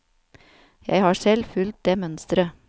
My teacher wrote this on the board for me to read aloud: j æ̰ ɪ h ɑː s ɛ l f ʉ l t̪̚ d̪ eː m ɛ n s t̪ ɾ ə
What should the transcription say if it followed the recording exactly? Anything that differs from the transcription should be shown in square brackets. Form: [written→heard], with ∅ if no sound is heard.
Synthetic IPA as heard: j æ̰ ɪ h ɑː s ɛ l f ʉ l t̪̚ d̪ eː m [ɛ→œ] n s t̪ ɾ ə